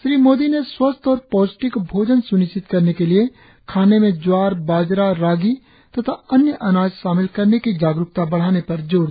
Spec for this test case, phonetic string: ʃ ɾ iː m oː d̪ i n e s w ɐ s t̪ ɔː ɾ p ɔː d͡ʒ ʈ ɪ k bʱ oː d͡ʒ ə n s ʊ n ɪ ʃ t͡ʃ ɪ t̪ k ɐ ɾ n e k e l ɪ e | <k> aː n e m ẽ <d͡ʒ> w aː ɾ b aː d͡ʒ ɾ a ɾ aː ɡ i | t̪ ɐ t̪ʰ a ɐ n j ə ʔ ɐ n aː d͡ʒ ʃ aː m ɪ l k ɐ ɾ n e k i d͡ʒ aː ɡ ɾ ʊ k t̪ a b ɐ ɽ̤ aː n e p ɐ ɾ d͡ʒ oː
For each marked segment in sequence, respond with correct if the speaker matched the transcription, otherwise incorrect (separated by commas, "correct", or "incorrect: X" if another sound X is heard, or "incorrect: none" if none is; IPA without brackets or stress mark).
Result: incorrect: kʰ, correct